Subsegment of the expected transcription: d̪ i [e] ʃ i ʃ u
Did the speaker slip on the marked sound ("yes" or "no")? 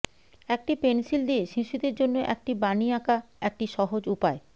no